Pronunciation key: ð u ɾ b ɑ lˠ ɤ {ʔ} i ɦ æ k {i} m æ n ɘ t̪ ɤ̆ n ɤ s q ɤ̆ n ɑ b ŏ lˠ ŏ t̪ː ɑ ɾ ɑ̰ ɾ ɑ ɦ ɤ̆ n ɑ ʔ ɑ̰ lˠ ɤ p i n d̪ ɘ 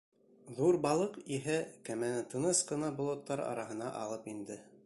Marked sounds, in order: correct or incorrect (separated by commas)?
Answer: incorrect, incorrect